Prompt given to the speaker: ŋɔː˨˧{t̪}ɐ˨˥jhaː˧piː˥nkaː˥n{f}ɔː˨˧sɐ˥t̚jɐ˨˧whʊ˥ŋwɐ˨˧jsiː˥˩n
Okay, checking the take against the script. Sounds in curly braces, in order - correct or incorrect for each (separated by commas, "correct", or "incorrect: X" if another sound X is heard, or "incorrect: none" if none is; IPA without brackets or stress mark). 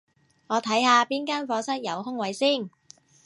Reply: incorrect: t̪ʰ, correct